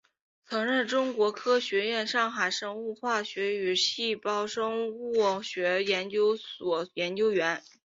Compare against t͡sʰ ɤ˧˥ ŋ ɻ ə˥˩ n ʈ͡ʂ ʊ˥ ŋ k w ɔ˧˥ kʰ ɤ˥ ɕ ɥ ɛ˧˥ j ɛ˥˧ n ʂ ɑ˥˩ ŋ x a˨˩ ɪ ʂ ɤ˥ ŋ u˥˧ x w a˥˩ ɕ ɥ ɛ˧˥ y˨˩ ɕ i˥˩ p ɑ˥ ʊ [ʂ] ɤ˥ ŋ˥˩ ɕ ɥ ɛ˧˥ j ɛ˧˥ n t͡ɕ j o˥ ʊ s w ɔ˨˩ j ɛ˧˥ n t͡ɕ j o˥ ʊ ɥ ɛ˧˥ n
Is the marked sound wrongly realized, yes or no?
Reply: no